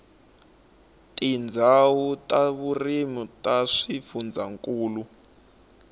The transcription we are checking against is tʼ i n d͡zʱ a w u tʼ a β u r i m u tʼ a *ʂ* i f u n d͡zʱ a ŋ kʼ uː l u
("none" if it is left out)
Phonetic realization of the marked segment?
ʂ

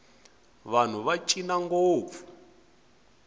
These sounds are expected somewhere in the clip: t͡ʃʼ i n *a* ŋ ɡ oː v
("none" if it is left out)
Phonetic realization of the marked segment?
a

